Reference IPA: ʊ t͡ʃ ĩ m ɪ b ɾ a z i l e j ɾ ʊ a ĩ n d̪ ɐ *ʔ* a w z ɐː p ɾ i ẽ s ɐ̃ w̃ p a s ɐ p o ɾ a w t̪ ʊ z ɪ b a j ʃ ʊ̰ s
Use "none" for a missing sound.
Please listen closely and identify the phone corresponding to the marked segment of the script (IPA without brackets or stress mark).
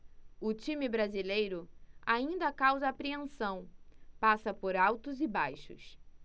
k